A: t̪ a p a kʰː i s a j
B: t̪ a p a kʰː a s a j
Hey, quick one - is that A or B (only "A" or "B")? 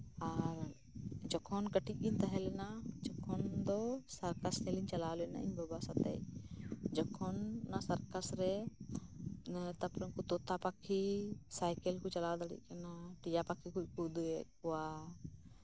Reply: A